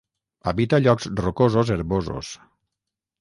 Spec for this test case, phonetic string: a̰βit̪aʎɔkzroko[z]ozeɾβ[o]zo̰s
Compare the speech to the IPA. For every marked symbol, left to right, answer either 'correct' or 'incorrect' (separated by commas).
correct, correct